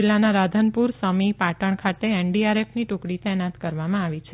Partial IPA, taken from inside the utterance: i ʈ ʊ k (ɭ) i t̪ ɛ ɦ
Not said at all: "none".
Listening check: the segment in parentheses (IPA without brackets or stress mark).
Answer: ɽ